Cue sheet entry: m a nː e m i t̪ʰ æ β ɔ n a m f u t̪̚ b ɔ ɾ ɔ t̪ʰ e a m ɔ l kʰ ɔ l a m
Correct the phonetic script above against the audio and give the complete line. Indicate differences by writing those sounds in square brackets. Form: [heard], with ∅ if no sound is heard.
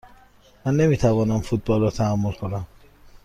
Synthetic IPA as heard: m a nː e m i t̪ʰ [a] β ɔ n a m f u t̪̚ b ɔ [l] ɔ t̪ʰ [a] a m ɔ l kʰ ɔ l a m